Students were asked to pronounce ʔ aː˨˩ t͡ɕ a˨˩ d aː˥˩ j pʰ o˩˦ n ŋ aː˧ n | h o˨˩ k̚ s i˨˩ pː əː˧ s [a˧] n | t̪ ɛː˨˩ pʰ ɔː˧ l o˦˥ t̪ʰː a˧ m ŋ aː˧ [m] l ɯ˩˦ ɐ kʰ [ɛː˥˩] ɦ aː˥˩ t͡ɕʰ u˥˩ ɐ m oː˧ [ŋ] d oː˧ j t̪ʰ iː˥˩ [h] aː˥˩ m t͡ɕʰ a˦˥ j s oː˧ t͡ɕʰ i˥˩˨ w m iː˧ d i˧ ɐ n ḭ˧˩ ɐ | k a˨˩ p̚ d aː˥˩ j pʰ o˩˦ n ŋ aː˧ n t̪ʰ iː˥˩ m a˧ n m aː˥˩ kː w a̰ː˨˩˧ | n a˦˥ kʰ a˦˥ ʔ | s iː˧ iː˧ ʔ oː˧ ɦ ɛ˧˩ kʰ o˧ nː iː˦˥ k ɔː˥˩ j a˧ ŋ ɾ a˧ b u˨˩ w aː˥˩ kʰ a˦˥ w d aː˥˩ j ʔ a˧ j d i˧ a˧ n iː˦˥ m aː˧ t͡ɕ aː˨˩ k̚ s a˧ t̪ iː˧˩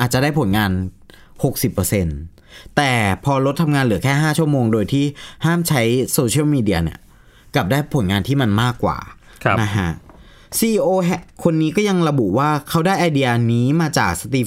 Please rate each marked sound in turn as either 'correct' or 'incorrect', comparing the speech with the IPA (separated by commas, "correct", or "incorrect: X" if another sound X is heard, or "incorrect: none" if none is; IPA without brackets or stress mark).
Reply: incorrect: e˧, incorrect: n, correct, correct, correct